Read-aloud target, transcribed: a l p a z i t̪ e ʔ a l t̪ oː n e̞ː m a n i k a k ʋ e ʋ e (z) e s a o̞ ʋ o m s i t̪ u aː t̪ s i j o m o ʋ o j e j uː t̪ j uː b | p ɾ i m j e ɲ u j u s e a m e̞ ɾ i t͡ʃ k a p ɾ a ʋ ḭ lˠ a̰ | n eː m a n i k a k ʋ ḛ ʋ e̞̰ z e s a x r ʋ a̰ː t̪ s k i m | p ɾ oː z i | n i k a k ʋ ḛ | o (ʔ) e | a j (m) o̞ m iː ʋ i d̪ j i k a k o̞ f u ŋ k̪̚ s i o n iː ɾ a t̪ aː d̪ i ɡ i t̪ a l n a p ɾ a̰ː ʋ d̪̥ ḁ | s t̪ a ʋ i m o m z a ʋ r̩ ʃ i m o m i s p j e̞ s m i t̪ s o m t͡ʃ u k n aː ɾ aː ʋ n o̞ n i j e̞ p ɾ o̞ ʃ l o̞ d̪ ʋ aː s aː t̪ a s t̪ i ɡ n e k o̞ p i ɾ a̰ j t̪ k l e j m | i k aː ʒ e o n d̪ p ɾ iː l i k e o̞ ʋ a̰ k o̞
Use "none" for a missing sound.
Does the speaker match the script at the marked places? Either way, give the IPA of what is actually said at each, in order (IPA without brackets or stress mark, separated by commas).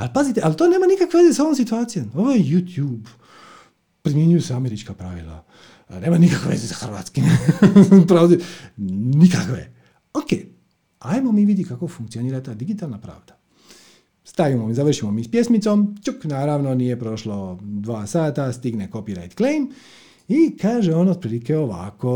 z, k, m